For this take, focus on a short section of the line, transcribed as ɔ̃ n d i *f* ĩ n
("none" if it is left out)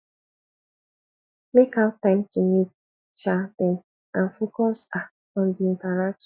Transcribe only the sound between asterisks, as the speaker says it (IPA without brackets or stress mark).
none